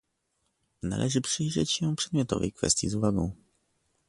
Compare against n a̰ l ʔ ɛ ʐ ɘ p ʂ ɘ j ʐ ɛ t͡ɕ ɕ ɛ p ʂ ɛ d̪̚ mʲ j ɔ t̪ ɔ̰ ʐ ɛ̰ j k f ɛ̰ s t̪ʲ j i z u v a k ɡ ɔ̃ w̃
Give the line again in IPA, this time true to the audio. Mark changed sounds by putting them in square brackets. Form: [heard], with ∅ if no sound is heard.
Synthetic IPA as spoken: n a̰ l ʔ ɛ ʐ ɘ p ʂ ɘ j ʐ ɛ t͡ɕ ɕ ɛ p ʂ ɛ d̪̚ mʲ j ɔ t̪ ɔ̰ [v] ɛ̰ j k f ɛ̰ s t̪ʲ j i z u v a [∅] ɡ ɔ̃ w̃